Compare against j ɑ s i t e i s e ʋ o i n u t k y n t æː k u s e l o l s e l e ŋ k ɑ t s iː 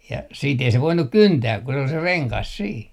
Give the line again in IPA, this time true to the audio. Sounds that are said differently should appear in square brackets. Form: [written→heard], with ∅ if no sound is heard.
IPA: j ɑ s [i→iː] t e i s e ʋ o i n u [t→k] k y n t æː k u s e [l→∅] o l s e [l→r] e ŋ k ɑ [t→s] s iː